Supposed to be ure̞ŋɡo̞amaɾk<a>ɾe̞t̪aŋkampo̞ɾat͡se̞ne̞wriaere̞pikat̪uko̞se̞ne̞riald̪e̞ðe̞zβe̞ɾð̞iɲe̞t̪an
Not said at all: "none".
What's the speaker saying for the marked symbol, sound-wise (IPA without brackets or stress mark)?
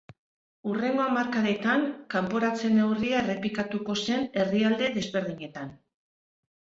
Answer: a